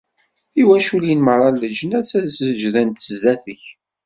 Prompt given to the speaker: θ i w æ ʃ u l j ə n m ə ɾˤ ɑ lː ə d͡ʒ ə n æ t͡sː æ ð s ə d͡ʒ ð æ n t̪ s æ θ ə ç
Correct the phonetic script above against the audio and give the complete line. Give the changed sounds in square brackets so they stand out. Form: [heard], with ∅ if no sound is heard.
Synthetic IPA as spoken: θ i w æ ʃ u l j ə n m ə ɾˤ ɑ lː ə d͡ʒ ə n æ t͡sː æ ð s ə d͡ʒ ð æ n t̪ [z] æ θ ə ç